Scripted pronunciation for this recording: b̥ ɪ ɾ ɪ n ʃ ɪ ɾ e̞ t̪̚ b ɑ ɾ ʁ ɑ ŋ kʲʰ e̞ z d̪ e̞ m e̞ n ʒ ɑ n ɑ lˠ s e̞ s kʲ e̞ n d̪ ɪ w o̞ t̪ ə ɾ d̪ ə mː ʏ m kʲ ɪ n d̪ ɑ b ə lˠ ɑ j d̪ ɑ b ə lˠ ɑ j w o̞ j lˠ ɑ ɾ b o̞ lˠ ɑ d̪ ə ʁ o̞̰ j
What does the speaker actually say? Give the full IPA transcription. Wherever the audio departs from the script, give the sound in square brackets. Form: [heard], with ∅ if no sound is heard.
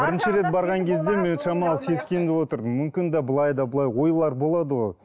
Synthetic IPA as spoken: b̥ ɪ ɾ ɪ n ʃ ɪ ɾ e̞ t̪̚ b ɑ ɾ ʁ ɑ ŋ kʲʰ e̞ z d̪ e̞ m e̞ n [ʃ] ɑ [m] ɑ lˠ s e̞ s kʲ e̞ n d̪ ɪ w o̞ t̪ ə ɾ d̪ ə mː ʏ m kʲ ɪ n d̪ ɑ b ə lˠ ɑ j d̪ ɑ b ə lˠ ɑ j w o̞ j lˠ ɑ ɾ b o̞ lˠ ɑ d̪ ə ʁ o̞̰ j

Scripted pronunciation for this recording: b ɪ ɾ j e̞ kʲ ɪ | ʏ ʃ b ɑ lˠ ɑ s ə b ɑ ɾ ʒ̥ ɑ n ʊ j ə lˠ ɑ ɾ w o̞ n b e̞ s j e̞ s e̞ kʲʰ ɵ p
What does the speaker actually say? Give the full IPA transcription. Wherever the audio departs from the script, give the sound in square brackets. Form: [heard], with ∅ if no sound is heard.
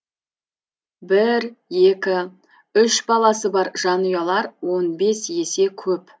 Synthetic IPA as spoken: b ɪ ɾ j e̞ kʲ ɪ | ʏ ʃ b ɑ lˠ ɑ s ə b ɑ ɾ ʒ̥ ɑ n [u] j [ɑ] lˠ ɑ ɾ w o̞ n b e̞ s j e̞ s e̞ kʲʰ ɵ p

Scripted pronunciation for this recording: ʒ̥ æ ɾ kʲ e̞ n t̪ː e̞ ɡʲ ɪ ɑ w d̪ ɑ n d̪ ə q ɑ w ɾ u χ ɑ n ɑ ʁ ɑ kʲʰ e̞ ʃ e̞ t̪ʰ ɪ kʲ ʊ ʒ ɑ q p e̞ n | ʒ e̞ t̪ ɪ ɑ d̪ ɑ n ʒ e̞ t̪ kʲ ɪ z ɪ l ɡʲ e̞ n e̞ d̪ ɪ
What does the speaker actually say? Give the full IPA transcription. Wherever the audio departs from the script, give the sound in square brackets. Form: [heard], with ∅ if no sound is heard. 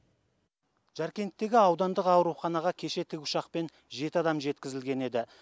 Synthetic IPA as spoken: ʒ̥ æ ɾ kʲ e̞ n t̪ː e̞ ɡʲ ɪ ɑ w d̪ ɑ n d̪ ə q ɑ w ɾ u χ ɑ n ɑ ʁ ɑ kʲʰ e̞ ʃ e̞ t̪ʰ ɪ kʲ ʊ [ʃ] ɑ q p e̞ n | ʒ e̞ t̪ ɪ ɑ d̪ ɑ [m] ʒ e̞ t̪ kʲ ɪ z ɪ l ɡʲ e̞ n e̞ d̪ ɪ

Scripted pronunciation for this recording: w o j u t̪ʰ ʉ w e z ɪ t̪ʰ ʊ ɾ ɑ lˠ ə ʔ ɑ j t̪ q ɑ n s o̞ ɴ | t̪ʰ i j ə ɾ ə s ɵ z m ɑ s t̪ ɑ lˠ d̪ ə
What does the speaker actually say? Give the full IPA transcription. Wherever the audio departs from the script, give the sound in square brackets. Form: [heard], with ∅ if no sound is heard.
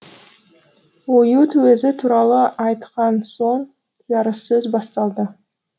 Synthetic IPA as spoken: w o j u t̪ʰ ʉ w e z ɪ t̪ʰ [u] ɾ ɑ lˠ ə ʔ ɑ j t̪ q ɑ n s o̞ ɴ | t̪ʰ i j [ɑ] ɾ ə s ɵ z [b] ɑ s t̪ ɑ lˠ d̪ ə

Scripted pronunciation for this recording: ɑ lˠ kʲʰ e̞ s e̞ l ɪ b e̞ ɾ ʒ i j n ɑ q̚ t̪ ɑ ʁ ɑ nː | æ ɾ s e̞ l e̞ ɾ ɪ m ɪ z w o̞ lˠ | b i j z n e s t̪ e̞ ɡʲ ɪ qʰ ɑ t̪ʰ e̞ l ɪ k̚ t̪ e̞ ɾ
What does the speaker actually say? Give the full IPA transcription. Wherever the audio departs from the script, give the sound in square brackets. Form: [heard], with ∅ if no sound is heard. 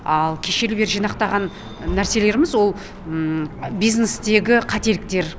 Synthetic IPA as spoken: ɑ lˠ kʲʰ e̞ [ʃ] e̞ l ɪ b e̞ ɾ ʒ i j n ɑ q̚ t̪ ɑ ʁ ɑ nː | æ ɾ s e̞ l e̞ ɾ ɪ m ɪ z w o̞ lˠ | b i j z n e s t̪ e̞ ɡʲ ɪ qʰ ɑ [t̪] e̞ l ɪ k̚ t̪ e̞ ɾ

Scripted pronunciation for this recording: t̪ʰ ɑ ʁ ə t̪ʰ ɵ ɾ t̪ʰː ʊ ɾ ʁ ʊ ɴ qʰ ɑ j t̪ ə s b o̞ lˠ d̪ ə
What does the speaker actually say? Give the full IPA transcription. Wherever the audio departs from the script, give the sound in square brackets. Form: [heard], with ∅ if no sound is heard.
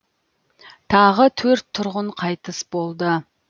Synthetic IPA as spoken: t̪ʰ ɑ ʁ ə t̪ʰ ɵ ɾ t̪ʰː ʊ ɾ ʁ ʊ ɴ qʰ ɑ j t̪ ə s b o̞ lˠ d̪ ə

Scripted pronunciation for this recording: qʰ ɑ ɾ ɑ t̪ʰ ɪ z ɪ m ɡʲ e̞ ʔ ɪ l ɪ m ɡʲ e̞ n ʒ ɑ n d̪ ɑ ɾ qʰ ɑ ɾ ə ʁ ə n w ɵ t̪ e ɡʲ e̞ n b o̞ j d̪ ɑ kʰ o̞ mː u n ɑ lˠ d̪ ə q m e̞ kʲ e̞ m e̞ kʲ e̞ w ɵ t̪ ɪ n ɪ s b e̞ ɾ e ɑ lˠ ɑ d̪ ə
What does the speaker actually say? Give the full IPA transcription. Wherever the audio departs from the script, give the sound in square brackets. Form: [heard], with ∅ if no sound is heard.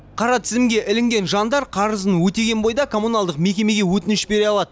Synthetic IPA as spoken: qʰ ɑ ɾ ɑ t̪ʰ ɪ z ɪ m ɡʲ e̞ ʔ ɪ l ɪ [ŋ] ɡʲ e̞ n ʒ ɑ n d̪ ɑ ɾ qʰ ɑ ɾ ə [z] ə n w ɵ t̪ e ɡʲ e̞ n b o̞ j d̪ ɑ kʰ o̞ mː u n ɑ lˠ d̪ ə q m e̞ kʲ e̞ m e̞ [ɡʲ] e̞ w ɵ t̪ ɪ n ɪ [ʃ] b e̞ ɾ e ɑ lˠ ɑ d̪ ə

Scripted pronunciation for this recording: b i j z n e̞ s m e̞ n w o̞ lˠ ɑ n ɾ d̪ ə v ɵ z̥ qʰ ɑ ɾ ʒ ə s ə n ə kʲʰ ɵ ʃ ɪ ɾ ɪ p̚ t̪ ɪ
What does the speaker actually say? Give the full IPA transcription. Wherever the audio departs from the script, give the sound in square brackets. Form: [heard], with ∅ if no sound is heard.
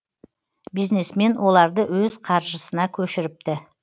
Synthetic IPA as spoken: b i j z n e̞ s m e̞ n w o̞ lˠ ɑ [∅] ɾ d̪ ə [w] ɵ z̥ qʰ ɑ ɾ ʒ ə s ə n [ɑ] kʲʰ ɵ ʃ ɪ ɾ ɪ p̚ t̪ ɪ

